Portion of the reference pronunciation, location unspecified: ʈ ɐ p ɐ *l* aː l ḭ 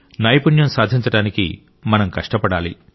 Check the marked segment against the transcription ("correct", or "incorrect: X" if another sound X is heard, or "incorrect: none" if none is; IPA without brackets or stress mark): incorrect: ɽ